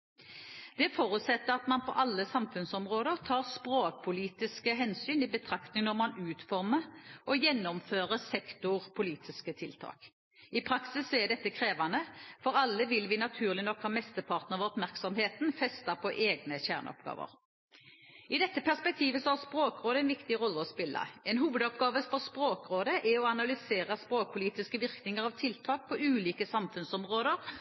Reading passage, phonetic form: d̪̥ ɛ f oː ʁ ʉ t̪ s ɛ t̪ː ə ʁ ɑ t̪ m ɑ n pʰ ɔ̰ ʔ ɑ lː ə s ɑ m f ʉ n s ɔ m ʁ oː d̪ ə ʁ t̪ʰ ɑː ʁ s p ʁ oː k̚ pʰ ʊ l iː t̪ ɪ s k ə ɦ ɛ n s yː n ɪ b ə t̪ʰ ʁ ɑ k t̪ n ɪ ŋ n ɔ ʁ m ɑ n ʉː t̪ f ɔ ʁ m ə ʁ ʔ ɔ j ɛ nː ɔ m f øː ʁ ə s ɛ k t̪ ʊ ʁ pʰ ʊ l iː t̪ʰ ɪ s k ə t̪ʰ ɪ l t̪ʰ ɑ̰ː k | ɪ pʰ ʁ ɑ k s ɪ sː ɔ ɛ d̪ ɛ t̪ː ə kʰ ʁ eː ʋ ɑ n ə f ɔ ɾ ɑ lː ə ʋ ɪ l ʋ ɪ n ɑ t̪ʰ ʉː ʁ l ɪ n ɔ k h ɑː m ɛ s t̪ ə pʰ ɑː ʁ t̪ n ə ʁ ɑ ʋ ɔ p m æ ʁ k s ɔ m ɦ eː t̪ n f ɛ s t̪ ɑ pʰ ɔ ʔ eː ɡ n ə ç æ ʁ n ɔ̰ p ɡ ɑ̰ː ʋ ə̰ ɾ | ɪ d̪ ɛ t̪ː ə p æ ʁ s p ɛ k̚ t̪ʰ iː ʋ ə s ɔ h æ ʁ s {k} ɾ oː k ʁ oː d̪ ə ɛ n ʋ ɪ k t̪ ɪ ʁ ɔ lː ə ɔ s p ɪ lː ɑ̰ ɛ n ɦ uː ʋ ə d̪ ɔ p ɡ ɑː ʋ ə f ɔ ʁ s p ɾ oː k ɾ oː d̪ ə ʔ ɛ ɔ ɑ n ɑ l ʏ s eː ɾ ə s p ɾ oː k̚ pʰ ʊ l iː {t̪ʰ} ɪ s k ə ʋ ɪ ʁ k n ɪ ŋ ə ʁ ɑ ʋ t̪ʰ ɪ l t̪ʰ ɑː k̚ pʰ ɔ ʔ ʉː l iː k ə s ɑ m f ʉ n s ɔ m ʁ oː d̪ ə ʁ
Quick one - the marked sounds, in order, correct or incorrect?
incorrect, incorrect

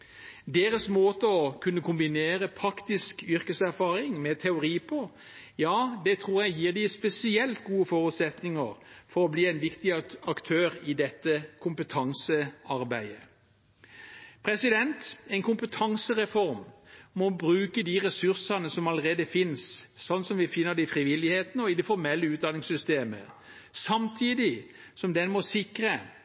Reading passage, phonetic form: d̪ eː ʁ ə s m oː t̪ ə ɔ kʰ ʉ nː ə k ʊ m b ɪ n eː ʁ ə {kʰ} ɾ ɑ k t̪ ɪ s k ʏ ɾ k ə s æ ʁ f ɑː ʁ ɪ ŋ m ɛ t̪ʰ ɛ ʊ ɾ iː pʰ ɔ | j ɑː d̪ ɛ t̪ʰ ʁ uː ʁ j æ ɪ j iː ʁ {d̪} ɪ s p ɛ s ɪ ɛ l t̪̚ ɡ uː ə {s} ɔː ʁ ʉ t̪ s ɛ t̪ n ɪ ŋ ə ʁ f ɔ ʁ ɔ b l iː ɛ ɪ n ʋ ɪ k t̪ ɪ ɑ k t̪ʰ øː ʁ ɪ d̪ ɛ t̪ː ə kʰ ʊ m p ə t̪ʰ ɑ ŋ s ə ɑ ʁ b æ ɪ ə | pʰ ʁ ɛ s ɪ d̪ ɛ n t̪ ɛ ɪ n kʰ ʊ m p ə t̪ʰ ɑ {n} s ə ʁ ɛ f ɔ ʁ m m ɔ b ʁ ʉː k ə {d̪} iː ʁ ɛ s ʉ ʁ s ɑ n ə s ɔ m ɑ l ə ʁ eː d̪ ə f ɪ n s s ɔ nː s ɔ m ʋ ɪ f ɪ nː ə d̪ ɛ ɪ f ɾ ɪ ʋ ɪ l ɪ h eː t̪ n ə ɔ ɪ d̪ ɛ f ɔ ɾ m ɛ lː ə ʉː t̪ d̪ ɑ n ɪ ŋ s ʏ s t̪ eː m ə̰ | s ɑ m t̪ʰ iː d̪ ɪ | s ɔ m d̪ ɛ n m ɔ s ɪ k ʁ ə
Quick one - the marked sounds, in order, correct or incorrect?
incorrect, correct, incorrect, incorrect, correct

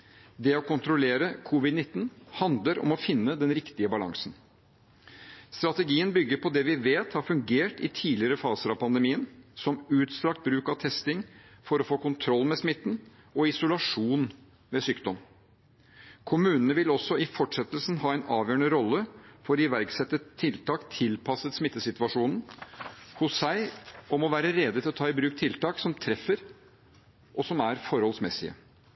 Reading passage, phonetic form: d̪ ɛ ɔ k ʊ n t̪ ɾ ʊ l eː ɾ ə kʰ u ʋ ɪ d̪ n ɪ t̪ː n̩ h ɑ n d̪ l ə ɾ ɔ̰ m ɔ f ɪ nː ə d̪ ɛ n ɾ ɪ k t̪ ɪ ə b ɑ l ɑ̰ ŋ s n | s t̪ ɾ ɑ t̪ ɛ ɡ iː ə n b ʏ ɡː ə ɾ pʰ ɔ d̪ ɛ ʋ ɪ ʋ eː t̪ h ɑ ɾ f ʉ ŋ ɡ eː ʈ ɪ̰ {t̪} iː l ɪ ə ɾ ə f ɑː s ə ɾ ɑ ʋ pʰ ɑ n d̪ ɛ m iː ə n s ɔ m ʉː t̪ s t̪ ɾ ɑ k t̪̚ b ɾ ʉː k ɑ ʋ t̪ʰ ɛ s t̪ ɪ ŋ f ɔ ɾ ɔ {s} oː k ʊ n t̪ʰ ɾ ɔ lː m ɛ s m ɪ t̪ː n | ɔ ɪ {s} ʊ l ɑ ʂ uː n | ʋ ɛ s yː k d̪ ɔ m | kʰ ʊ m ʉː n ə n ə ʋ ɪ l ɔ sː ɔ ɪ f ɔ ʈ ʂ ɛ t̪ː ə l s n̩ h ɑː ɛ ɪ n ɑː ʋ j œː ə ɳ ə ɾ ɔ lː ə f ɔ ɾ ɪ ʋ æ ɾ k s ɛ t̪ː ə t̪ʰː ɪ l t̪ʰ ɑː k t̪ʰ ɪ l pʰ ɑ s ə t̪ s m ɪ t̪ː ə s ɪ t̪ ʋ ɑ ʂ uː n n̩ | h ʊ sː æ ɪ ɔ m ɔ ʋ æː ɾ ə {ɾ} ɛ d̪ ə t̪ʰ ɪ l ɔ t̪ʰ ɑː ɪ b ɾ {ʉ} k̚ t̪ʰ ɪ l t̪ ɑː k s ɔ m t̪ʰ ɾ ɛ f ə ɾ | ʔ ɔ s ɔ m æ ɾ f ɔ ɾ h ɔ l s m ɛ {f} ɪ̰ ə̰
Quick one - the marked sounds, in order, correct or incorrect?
incorrect, incorrect, correct, correct, incorrect, incorrect

